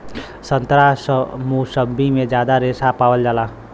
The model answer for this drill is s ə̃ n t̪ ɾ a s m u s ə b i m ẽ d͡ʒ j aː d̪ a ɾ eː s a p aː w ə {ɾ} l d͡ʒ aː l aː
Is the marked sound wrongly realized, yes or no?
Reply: yes